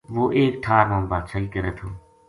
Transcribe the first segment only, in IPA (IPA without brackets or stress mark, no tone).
ʋ